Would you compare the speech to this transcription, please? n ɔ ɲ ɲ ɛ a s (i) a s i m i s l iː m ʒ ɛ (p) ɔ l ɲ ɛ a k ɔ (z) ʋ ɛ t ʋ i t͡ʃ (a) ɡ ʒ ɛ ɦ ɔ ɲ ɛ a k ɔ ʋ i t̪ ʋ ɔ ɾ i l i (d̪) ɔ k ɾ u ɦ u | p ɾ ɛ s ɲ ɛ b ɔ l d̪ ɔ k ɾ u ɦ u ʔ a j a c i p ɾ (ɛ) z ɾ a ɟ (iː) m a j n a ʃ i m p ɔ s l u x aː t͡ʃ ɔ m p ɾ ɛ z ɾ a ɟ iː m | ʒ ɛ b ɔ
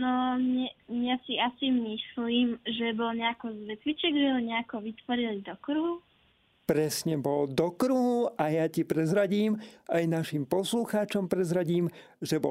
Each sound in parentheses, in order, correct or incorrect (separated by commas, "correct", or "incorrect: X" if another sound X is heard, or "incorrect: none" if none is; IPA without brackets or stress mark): correct, incorrect: b, correct, incorrect: ɛ, correct, correct, correct